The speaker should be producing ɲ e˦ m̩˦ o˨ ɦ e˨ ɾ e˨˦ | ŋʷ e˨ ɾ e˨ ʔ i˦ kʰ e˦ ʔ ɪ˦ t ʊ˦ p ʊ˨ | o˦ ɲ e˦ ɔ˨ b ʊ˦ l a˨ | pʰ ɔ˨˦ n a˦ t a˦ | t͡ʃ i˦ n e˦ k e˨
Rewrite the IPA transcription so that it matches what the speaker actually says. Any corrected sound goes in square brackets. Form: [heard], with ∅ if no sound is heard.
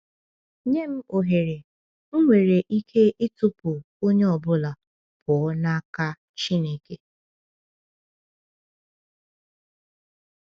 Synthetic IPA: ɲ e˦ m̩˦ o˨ ɦ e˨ ɾ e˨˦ | ŋʷ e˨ ɾ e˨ ʔ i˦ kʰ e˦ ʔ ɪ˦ t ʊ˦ p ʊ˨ | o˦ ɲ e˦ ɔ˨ b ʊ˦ l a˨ | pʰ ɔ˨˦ n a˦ [k] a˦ | t͡ʃ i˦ n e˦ k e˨